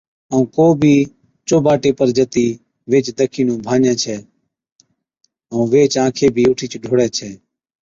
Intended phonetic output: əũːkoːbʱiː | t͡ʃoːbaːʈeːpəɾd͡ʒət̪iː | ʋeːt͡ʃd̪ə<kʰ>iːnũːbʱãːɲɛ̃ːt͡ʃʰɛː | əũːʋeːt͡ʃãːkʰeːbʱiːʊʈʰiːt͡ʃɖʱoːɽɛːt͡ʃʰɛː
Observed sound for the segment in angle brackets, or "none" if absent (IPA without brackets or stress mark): kʰ